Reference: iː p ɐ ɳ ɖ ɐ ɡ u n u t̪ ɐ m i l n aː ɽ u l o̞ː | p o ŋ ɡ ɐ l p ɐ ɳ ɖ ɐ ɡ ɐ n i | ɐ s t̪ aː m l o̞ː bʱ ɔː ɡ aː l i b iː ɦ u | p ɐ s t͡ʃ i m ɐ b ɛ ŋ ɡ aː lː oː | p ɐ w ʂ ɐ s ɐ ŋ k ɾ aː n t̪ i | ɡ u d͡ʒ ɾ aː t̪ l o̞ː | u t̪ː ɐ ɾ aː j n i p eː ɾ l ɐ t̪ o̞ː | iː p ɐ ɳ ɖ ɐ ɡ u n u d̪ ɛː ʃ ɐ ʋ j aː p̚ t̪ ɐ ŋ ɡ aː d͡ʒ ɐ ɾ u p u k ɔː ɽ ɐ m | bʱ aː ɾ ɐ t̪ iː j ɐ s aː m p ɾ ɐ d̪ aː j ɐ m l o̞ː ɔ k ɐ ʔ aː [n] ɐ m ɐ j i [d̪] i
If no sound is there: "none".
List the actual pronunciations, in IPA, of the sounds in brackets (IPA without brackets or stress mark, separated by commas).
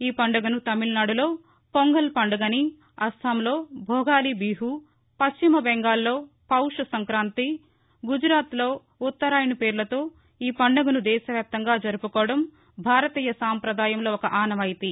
n, t̪